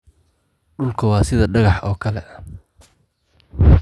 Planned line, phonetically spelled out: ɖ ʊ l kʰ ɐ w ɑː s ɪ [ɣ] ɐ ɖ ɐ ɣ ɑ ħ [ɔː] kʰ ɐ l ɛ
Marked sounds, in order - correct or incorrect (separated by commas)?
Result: incorrect, correct